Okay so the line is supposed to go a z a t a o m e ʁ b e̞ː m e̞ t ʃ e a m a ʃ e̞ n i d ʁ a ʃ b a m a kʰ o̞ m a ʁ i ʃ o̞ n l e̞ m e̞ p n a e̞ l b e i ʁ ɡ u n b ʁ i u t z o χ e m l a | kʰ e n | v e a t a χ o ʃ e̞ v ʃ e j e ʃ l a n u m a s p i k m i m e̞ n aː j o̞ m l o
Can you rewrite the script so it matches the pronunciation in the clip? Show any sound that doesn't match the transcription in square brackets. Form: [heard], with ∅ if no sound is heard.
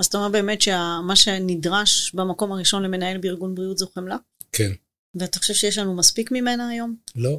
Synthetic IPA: a z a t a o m e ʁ b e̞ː m e̞ t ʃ e a m a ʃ e̞ n i d ʁ a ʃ b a m a [k] o̞ m a ʁ i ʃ o̞ n l e̞ m e̞ [∅] n a e̞ l b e i ʁ ɡ u n b ʁ i u t z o χ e m l a | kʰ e n | v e a t a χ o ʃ e̞ v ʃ e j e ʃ l a n u m a s p i k m i m e̞ n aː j o̞ m l o